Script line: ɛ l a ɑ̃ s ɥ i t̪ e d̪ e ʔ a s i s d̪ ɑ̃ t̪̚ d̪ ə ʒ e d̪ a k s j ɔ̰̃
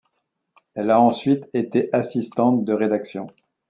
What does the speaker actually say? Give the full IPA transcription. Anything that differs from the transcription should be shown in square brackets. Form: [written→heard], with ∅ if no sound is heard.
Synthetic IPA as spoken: ɛ l a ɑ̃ s ɥ i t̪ e [d̪→t̪] e ʔ a s i s [d̪→t̪] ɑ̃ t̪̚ d̪ ə [ʒ→ʁ] e d̪ a k s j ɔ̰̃